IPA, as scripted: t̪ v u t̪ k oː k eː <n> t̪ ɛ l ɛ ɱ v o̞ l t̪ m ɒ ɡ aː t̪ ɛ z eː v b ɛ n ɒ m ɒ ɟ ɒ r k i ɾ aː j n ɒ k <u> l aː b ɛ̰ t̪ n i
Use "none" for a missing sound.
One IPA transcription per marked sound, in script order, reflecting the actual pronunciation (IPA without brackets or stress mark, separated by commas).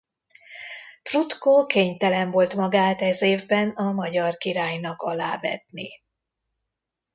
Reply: ɲ, ɒ